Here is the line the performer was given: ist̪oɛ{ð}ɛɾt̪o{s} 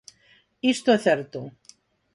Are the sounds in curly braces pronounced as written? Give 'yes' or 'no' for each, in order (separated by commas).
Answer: no, no